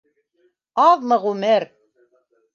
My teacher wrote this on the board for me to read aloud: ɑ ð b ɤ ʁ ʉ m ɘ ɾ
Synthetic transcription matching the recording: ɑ ð m ɤ ʁ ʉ m ɘ ɾ